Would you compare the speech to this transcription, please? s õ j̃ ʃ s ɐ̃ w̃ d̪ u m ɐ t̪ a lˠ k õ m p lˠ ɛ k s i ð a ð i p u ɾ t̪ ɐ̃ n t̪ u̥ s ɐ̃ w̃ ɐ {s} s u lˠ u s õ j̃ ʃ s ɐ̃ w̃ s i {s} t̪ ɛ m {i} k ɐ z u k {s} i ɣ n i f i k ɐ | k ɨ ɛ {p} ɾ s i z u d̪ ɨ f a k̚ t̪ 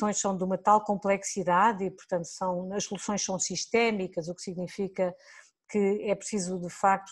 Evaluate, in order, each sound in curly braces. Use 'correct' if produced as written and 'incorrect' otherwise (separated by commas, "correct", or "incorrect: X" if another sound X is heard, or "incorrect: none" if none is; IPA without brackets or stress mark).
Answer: incorrect: ʃ, incorrect: ʃ, correct, correct, correct